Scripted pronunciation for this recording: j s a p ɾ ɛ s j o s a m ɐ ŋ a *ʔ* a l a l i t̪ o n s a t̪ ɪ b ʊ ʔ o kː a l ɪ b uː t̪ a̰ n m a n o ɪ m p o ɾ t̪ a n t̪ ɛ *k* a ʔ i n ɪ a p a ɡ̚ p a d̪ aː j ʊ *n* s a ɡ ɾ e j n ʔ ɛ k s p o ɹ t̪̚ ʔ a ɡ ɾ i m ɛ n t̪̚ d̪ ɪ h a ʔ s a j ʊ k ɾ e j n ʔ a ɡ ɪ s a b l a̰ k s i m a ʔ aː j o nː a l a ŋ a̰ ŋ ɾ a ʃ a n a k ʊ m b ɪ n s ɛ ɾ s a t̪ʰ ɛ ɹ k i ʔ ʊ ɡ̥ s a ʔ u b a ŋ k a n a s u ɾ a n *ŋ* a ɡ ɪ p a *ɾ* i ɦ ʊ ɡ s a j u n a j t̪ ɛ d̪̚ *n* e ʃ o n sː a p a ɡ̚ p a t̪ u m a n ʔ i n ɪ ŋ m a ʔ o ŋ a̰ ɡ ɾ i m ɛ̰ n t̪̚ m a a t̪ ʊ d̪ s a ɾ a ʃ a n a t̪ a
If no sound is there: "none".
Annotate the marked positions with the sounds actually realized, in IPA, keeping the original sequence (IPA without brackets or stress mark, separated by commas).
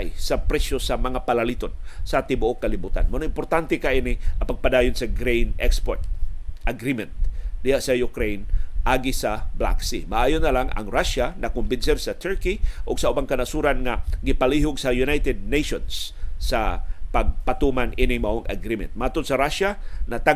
p, k, n, ŋ, l, n